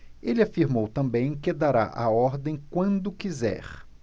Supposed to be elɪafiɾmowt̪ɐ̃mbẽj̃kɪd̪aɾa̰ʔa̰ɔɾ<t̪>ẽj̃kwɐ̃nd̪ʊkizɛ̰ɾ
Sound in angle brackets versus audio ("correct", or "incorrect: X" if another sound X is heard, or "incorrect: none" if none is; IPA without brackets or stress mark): incorrect: d̪